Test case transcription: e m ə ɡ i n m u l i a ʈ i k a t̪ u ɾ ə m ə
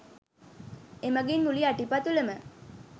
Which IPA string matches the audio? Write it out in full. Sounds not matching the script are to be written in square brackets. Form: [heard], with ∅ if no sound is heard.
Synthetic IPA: e m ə ɡ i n m u l i a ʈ i [p] a t̪ u [l] ə m ə

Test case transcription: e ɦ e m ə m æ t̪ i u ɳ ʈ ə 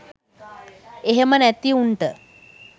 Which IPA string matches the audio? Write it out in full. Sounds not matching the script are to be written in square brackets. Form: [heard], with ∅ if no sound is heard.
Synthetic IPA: e ɦ e m ə [n] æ t̪ i u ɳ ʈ ə

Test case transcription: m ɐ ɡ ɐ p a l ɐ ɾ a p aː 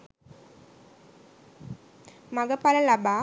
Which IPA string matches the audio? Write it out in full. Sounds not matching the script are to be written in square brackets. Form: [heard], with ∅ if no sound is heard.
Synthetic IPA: m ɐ ɡ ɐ p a l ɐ [l] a [b] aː

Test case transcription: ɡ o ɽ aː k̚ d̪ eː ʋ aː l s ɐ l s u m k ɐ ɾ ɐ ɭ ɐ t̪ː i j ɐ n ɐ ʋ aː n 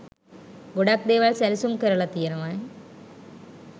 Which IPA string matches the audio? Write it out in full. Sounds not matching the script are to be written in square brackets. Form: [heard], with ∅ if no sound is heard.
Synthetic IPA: ɡ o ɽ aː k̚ d̪ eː ʋ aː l s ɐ l s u m k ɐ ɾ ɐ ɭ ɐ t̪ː i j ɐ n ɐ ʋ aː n

